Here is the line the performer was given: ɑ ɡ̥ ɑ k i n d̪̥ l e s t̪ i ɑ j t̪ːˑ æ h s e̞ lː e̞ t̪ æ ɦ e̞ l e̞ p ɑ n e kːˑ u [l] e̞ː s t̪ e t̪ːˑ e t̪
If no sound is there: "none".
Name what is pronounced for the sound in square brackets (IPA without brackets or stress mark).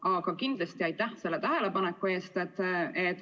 none